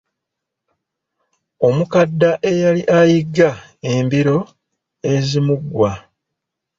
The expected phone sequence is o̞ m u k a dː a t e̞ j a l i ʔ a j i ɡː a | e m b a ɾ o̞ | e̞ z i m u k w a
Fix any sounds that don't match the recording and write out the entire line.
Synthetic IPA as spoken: o̞ m u k a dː a ʔ e̞ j a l i ʔ a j i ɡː a | e m b i ɾ o̞ | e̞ z i m u ɡ w a